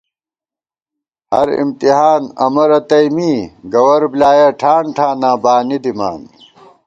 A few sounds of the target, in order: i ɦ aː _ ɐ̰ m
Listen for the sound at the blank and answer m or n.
n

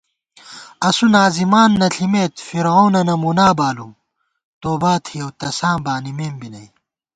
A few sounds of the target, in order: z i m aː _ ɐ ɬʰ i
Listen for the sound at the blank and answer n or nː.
nː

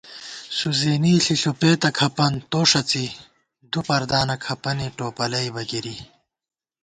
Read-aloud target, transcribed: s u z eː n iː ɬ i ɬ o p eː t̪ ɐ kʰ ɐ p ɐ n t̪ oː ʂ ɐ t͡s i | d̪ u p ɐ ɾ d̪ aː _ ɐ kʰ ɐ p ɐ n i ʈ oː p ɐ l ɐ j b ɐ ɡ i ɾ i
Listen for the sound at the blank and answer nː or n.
n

